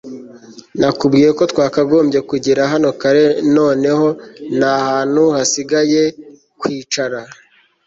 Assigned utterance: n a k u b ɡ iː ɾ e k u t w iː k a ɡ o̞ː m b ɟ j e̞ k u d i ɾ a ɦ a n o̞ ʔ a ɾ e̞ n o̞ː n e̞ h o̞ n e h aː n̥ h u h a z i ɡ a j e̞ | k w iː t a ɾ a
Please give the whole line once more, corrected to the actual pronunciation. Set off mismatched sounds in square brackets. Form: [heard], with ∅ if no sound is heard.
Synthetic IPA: n a k u b ɡ iː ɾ e k [o] t w [aː] k a ɡ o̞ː m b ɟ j e̞ k u [ɟ] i ɾ a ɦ a n o̞ [k] a ɾ e̞ n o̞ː n e̞ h o̞ n [a] h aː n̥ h u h a [s] i ɡ a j e̞ | k w iː [t͡ʃ] a ɾ a